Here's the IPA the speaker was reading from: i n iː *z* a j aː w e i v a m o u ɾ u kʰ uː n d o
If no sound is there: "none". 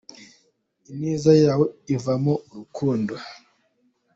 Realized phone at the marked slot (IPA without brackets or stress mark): z